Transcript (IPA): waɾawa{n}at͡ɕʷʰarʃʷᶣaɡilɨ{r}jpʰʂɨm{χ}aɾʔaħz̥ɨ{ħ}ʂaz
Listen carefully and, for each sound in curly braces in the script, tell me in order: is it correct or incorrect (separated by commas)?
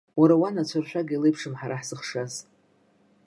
correct, incorrect, incorrect, incorrect